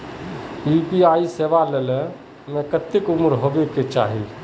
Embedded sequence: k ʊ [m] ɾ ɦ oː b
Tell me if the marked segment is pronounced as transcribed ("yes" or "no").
yes